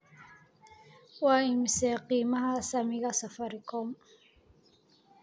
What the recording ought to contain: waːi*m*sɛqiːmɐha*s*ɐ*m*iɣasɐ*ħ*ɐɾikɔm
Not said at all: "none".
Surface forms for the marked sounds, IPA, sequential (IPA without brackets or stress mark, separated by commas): m, s, m, f